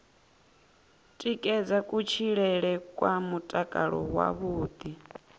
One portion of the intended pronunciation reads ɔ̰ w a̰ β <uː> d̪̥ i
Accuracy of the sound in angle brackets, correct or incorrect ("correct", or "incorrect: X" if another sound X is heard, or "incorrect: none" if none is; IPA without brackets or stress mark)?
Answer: correct